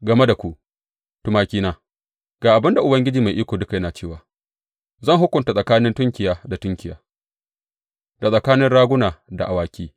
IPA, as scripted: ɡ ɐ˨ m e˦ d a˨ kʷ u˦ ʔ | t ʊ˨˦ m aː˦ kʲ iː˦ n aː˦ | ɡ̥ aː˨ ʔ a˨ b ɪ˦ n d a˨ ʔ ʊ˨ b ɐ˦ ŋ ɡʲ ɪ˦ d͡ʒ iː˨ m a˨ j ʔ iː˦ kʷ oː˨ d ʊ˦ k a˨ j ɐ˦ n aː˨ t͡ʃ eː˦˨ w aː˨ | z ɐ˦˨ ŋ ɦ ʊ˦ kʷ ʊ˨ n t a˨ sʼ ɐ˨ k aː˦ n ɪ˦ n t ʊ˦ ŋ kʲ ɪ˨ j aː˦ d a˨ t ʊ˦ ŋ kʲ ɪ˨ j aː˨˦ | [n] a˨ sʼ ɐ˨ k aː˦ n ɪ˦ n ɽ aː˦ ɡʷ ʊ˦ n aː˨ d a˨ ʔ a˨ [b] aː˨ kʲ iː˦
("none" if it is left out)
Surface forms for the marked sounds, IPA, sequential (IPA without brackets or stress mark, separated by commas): d, w